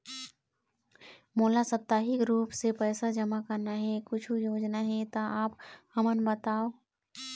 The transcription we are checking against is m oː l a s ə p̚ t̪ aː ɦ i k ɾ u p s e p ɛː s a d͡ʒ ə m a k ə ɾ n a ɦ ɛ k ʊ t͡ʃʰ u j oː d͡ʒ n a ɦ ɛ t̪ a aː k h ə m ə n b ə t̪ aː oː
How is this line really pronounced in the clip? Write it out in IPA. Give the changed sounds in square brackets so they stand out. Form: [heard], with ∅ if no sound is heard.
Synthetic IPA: m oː l a s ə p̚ t̪ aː ɦ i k ɾ [uː] p s e p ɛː s a d͡ʒ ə m a k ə ɾ n a ɦ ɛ k ʊ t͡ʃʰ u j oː d͡ʒ n a ɦ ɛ t̪ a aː [p] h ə m ə n b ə t̪ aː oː